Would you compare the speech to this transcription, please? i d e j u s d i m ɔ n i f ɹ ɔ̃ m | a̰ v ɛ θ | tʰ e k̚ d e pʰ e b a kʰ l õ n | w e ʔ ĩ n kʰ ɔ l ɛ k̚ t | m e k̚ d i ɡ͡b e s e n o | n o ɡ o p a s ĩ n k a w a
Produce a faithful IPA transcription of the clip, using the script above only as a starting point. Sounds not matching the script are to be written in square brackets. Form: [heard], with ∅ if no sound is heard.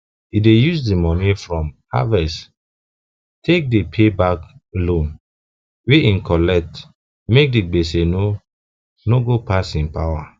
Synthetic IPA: i d e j u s d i m ɔ n i f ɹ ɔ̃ m | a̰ v ɛ [s] | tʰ e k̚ d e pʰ e b a [k] l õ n | w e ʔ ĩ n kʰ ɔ l ɛ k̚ t | m e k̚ d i ɡ͡b e s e n o | n o ɡ o p a s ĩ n [p] a w a